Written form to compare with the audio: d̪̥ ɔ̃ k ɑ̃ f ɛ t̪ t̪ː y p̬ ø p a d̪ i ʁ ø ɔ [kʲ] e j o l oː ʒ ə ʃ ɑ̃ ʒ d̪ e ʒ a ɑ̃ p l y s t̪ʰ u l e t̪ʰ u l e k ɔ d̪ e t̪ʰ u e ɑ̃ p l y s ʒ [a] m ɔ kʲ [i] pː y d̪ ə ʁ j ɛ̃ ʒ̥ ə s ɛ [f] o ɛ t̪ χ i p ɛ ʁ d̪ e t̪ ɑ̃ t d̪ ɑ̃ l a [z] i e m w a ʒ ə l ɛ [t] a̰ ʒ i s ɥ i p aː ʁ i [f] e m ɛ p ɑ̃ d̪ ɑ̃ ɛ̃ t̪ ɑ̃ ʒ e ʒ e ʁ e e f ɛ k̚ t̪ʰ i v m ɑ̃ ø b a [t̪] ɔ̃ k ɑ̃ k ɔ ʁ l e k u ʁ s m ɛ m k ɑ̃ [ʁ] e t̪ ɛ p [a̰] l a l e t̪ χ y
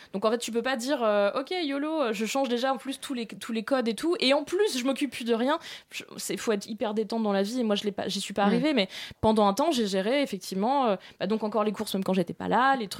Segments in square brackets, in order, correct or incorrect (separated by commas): correct, incorrect, incorrect, correct, incorrect, incorrect, incorrect, incorrect, incorrect, correct